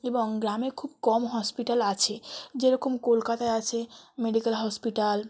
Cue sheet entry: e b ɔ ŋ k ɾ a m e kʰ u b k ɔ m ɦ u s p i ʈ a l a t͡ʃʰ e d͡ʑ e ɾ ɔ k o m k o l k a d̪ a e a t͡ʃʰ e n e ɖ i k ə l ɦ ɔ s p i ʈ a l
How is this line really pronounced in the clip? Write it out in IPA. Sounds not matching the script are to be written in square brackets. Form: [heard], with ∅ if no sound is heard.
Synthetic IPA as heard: e b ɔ ŋ [ɡ] ɾ a m e kʰ u b k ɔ m ɦ [ɔ] s p i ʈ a l a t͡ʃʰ e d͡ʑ e ɾ ɔ k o m k o l k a [t̪] a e a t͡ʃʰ e [m] e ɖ i k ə l ɦ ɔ s p i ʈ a l